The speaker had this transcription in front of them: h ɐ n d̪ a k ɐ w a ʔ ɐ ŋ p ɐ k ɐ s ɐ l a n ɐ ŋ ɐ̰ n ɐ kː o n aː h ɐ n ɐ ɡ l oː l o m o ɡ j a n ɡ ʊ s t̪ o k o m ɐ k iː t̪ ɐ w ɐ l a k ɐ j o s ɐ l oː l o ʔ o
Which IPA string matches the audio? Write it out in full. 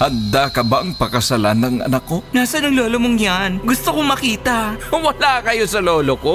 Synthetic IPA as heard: h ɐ n d̪ a k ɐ b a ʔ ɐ ŋ p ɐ k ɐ s ɐ l a n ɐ ŋ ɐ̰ n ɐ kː o n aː s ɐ n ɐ ŋ l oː l o m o ŋ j a n ɡ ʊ s t̪ o k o m ɐ k iː t̪ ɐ w ɐ l a k ɐ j o s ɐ l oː l o k o